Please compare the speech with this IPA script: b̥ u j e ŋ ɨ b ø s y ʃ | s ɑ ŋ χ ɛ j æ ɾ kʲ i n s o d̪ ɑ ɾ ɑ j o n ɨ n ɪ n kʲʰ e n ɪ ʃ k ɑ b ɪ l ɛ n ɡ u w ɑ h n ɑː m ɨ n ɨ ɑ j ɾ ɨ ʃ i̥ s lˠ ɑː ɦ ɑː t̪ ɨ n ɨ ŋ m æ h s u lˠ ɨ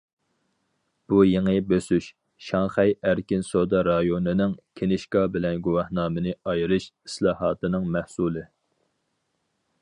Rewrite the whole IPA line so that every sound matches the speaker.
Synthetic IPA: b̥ u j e ŋ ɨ b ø s y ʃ | ʃ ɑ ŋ χ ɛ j æ ɾ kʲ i n s o d̪ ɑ ɾ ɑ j o n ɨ n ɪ ŋ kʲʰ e n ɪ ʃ k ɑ b ɪ l ɛ n ɡ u w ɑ h n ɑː m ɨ n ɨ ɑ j ɾ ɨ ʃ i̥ s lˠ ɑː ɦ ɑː t̪ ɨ n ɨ ŋ m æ h s u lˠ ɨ